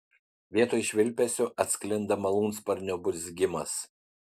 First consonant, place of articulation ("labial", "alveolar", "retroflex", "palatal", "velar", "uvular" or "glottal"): labial